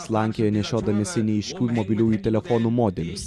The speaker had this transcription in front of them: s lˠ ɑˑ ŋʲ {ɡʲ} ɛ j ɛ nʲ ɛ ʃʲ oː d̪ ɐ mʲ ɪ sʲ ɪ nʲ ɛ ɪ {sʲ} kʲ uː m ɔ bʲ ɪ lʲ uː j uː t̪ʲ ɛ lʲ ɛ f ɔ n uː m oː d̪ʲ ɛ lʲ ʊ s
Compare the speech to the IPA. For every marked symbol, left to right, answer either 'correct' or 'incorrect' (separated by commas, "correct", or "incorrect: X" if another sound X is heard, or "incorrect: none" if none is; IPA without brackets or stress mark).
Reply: incorrect: kʲ, incorrect: ʃʲ